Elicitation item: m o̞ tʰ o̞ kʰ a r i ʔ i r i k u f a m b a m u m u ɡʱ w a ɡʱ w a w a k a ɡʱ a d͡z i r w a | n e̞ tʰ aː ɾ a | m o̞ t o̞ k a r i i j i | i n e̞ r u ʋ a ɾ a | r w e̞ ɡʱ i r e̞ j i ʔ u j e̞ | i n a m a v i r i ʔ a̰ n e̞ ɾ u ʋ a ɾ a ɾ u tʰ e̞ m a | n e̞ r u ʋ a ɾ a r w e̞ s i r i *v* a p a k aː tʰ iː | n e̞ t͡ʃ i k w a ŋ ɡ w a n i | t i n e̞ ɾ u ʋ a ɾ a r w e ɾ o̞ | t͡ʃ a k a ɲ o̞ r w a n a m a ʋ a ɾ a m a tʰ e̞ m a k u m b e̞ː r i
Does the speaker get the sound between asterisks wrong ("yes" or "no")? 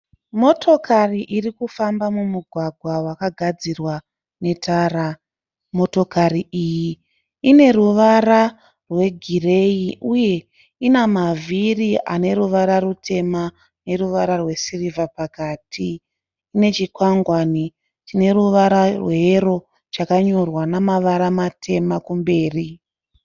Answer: no